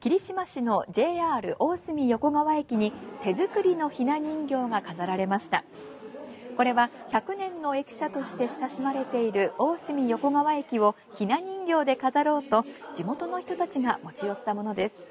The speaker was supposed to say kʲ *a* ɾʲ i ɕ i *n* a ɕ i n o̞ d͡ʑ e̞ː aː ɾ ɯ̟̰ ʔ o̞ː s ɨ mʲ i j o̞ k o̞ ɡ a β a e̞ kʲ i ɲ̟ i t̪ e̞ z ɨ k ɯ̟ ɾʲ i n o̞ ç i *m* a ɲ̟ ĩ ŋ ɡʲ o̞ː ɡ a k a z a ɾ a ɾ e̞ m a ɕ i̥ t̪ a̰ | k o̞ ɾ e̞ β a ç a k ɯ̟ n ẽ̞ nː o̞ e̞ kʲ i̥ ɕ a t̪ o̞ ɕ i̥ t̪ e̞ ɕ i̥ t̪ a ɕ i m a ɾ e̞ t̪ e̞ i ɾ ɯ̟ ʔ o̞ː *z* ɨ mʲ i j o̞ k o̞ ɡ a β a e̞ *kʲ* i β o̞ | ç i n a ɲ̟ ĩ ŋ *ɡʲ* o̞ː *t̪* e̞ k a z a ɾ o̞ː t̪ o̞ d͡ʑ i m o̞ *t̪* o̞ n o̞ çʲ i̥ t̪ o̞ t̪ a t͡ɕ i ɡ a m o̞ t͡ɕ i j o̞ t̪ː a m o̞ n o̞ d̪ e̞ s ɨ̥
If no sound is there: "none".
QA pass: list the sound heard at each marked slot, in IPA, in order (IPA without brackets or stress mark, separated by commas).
i, m, n, s, kʲ, ɡʲ, d̪, t̪